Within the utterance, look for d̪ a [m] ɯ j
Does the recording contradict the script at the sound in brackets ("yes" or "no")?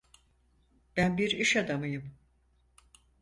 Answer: no